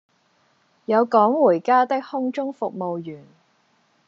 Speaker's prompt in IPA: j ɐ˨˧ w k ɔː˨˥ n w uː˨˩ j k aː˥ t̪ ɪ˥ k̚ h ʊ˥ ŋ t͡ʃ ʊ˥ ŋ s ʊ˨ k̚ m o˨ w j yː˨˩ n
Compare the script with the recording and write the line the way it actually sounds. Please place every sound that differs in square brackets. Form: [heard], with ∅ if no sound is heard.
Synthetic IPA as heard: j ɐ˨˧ w k ɔː˨˥ [ŋ] w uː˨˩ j k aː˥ t̪ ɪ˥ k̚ h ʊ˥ ŋ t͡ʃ ʊ˥ ŋ [f] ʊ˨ k̚ m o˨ w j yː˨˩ n